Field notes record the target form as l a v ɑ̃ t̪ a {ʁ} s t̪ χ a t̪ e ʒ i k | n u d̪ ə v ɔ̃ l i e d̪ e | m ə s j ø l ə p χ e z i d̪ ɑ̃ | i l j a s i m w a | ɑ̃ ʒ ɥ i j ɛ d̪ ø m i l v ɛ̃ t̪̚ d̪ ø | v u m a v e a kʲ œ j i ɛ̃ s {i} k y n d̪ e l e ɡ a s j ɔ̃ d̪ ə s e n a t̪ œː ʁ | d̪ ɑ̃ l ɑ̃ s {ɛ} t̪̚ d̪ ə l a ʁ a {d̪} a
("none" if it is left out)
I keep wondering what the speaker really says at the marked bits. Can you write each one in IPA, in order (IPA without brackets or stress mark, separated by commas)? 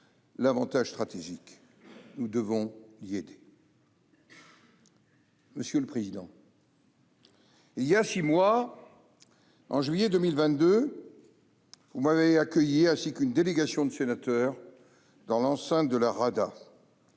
ʒ, i, ɛ̃, d̪